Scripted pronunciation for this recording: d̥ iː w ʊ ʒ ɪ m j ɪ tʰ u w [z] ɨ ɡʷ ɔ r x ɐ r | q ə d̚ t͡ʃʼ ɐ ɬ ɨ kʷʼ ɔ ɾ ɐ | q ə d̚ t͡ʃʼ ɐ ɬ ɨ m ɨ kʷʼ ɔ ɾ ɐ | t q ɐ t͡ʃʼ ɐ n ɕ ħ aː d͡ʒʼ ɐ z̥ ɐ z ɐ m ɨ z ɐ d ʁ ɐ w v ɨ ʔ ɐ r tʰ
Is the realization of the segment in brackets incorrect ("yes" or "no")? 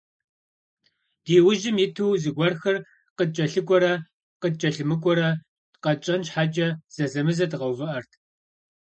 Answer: no